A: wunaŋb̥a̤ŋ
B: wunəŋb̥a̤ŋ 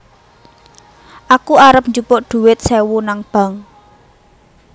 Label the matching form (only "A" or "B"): A